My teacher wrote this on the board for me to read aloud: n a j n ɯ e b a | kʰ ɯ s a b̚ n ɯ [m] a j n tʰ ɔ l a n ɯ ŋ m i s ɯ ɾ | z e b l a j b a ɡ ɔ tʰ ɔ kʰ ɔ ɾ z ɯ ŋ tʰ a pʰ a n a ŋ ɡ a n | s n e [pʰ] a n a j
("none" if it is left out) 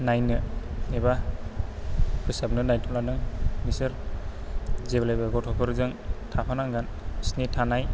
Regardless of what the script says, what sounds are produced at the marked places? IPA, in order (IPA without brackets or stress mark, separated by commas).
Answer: n, tʰ